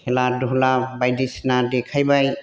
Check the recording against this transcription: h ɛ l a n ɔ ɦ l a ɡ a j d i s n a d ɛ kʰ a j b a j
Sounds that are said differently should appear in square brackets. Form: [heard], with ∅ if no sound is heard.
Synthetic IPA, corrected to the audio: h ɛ l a [d] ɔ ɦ l a [b] a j d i s n a d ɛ kʰ a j b a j